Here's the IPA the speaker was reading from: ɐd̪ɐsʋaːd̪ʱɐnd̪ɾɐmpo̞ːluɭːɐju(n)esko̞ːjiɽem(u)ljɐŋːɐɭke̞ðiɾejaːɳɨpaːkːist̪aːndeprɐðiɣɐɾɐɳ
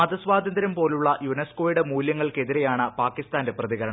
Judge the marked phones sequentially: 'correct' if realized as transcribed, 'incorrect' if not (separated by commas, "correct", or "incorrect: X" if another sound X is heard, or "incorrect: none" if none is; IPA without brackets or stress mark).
correct, incorrect: uː